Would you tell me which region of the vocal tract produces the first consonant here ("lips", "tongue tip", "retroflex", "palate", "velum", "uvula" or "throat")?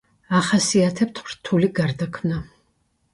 uvula